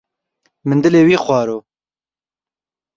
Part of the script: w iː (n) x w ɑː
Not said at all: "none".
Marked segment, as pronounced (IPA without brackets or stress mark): none